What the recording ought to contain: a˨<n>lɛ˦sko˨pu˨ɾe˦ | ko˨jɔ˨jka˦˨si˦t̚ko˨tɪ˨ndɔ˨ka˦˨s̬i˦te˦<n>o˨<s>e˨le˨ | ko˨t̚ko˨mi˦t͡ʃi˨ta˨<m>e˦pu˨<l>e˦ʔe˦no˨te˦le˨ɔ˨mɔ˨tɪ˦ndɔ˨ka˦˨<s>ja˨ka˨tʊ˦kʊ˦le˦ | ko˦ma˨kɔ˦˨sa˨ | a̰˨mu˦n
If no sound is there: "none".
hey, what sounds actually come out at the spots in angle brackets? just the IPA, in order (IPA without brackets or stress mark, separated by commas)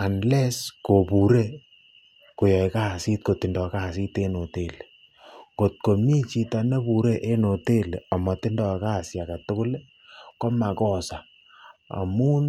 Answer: n, n, t, n, ɾ, s